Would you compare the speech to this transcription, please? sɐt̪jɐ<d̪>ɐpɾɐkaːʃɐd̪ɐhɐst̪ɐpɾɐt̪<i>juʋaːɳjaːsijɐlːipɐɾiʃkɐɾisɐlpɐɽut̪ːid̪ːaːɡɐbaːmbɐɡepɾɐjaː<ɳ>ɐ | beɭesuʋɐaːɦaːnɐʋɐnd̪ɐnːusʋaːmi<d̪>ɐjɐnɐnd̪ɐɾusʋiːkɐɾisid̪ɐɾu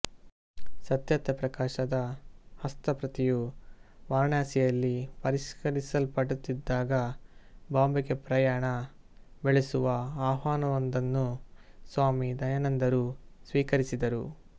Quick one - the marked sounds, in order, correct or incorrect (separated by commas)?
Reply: incorrect, correct, correct, correct